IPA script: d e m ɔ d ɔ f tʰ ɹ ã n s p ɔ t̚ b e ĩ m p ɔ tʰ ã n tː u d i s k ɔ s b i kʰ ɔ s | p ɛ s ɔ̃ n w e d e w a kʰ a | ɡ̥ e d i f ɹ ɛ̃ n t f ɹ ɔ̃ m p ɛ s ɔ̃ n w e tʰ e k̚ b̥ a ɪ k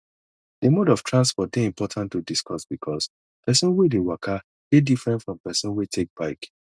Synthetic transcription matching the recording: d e m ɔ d ɔ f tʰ ɹ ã n s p ɔ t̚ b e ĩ m p ɔ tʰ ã n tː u d i s k ɔ s b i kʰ ɔ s | p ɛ s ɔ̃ n w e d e w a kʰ a | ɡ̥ e d i f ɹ ɛ̃ n t f ɹ ɔ̃ m p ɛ s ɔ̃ n w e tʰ e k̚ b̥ a ɪ k